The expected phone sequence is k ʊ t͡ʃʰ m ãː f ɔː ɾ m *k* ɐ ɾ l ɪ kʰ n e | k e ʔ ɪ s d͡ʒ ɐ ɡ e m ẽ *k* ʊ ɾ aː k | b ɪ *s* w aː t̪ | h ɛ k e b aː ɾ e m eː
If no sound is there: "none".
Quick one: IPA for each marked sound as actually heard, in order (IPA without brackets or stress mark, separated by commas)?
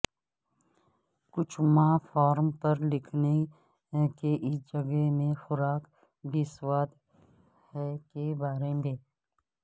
p, x, s